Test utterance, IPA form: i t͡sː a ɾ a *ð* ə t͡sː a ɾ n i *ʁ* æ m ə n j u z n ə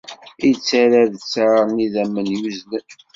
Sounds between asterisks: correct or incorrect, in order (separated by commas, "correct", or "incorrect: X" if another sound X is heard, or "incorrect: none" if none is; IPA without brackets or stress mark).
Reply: correct, incorrect: ð